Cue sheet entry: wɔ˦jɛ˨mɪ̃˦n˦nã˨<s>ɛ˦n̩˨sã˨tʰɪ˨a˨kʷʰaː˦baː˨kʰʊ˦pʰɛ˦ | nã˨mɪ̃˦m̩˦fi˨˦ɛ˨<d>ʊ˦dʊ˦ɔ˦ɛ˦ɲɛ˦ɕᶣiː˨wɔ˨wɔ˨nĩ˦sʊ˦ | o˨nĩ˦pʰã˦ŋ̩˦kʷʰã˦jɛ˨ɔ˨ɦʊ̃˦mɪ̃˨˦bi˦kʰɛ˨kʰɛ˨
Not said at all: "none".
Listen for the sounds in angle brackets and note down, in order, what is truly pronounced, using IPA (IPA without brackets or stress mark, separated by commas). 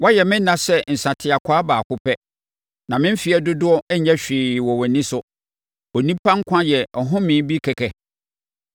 s, d